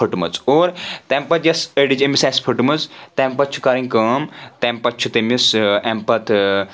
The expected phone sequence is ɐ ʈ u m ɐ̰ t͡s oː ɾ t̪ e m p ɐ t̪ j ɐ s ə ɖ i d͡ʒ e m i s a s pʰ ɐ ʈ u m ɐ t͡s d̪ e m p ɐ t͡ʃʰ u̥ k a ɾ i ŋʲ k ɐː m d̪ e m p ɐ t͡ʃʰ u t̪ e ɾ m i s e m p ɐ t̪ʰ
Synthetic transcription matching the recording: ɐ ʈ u m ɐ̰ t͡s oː ɾ t̪ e m p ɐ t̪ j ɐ s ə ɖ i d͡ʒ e m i s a s pʰ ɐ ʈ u m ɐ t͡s t̪ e m p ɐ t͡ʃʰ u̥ k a ɾ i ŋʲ k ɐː m t̪ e m p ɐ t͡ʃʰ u t̪ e m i s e m p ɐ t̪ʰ

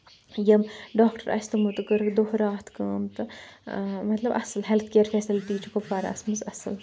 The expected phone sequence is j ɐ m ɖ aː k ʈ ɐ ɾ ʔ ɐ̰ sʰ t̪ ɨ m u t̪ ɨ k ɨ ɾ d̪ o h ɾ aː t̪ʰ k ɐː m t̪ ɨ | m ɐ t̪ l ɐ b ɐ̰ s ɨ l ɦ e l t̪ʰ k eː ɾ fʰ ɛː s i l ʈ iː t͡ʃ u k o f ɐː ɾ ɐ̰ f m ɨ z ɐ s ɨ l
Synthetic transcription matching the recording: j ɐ m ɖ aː k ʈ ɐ ɾ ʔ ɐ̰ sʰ t̪ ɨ m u t̪ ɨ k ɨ ɾ d̪ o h ɾ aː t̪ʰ k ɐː m t̪ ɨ | m ɐ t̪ l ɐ b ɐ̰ s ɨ l ɦ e l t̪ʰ k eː ɾ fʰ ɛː s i l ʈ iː t͡ʃ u k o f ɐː ɾ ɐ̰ s m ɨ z ɐ s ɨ l

